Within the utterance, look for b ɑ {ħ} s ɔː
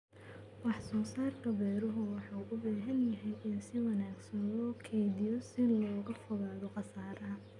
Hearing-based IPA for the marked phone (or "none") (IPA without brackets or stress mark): ħ